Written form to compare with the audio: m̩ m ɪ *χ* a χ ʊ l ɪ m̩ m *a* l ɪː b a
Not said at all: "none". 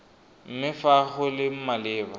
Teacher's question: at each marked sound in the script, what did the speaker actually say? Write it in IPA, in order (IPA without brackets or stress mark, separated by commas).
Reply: f, a